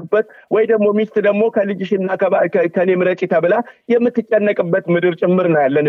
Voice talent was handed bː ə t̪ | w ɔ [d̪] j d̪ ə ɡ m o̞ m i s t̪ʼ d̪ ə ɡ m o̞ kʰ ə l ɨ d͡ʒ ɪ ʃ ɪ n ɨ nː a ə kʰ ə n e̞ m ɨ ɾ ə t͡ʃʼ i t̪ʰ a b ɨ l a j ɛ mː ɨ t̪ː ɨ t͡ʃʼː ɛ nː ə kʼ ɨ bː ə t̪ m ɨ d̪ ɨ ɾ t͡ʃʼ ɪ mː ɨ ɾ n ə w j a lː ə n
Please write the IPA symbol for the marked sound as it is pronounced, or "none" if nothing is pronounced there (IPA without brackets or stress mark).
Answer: none